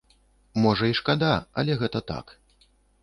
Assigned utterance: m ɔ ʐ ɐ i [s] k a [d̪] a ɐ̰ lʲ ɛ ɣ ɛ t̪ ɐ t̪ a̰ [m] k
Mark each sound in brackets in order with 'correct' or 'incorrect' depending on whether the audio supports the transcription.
incorrect: ʂ, correct, incorrect: none

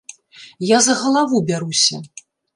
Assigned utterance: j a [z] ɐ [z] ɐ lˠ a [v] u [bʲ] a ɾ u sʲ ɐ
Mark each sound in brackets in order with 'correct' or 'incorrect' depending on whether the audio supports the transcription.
correct, incorrect: ɣ, correct, correct

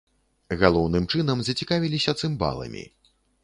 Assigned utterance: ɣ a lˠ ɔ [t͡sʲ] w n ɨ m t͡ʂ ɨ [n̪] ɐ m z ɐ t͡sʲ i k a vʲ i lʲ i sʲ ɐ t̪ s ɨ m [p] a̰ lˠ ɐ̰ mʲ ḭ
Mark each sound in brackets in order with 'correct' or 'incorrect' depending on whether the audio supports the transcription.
incorrect: none, correct, incorrect: b

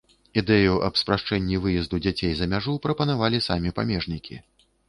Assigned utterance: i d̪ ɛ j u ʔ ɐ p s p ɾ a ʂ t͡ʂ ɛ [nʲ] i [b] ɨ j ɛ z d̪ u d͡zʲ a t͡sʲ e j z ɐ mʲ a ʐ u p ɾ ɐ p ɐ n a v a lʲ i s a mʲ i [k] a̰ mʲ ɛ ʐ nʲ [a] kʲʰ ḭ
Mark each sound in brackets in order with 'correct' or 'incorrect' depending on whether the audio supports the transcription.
incorrect: nʲː, incorrect: v, incorrect: p, incorrect: i

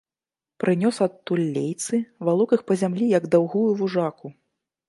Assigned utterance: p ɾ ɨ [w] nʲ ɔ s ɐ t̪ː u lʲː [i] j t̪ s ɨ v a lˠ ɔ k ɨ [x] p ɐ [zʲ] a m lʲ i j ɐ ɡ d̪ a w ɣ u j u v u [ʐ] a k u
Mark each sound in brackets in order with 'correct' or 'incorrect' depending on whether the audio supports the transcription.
incorrect: none, incorrect: e, correct, correct, correct

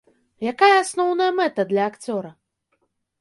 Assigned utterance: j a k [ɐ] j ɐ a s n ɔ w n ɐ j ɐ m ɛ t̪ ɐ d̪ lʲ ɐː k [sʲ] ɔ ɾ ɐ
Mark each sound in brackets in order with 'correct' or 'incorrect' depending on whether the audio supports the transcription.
incorrect: a, incorrect: t͡sʲ

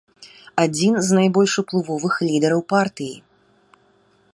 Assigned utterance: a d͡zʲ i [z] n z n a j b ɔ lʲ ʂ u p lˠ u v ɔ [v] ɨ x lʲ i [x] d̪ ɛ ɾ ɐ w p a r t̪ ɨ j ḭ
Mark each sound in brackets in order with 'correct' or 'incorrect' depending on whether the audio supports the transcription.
incorrect: none, correct, incorrect: none

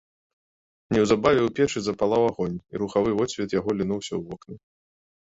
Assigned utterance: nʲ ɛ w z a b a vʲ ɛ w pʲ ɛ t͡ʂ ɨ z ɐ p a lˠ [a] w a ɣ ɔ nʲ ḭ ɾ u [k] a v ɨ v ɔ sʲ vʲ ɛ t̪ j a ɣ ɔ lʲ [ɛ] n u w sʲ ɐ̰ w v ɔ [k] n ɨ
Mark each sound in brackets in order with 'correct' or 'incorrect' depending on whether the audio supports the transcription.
correct, incorrect: x, incorrect: i, correct

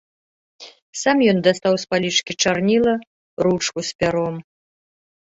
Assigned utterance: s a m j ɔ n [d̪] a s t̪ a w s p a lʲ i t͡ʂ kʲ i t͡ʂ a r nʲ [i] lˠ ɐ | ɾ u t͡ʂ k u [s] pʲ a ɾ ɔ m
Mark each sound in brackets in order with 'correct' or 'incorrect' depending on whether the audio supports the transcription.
correct, correct, correct

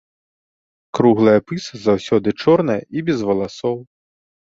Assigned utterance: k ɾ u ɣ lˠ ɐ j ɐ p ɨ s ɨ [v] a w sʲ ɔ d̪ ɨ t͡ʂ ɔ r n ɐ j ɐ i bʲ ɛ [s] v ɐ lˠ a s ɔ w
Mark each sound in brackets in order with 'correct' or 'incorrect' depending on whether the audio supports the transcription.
incorrect: z, incorrect: z

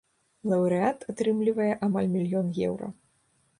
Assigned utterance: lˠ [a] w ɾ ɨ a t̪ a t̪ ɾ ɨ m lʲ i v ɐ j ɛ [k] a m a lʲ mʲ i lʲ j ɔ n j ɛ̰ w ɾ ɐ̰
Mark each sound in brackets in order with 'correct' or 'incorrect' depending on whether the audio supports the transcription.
incorrect: ɐ, incorrect: ʔ

